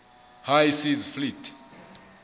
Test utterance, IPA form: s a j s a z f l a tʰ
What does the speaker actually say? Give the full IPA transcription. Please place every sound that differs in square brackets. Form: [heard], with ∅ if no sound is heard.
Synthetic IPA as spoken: [h] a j s [i] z f l [i] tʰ